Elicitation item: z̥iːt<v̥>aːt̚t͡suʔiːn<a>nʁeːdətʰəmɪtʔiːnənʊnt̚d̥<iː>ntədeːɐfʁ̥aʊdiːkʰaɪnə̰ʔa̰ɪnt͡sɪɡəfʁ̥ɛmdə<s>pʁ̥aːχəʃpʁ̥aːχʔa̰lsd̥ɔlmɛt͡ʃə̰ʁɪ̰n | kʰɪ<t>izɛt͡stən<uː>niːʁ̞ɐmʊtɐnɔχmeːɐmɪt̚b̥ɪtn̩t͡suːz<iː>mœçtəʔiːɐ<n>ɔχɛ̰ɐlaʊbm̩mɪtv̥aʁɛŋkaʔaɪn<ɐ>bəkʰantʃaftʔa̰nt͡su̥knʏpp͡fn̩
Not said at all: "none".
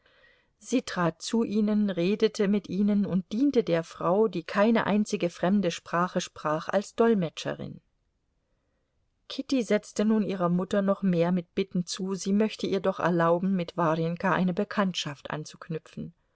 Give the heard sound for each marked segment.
ʁ̥, ə, iː, ʃ, t, uː, iː, d, ə

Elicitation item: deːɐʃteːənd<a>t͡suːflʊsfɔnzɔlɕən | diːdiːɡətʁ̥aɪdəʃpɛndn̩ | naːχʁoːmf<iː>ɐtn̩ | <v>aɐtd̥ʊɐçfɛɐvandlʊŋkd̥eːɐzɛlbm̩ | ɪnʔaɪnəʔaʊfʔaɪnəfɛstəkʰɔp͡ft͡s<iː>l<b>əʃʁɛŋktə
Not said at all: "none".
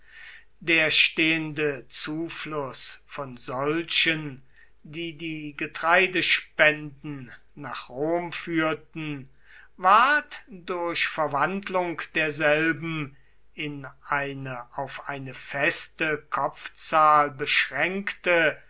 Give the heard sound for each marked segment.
ə, yː, v, aː, b

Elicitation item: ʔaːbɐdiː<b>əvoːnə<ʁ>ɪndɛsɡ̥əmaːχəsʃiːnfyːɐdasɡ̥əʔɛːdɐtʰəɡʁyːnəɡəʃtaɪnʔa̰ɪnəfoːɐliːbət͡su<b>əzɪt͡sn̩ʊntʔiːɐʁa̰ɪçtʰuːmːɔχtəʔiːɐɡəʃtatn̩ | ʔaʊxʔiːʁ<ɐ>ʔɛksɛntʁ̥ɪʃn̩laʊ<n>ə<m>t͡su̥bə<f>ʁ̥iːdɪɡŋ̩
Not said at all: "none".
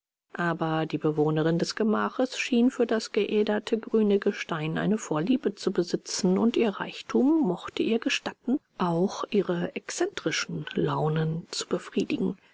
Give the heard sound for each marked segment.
b, ʁ, b, ə, n, n, f

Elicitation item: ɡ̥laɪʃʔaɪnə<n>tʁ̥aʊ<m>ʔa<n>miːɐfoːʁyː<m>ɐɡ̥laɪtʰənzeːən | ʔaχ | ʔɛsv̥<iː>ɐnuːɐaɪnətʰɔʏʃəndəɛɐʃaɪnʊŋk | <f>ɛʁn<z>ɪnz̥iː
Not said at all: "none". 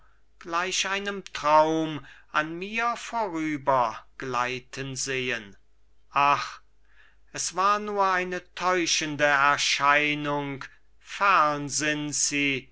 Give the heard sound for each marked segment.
m, m, n, b, aː, f, z

